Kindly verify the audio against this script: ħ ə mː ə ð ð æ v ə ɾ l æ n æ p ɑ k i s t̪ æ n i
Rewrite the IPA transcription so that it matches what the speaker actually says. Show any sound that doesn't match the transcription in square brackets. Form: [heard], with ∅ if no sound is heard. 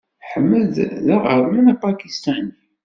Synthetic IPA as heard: ħ ə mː ə ð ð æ [ʁ] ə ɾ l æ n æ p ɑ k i s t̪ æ n i